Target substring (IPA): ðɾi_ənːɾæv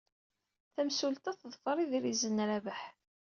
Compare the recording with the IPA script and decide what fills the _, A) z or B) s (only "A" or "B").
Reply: A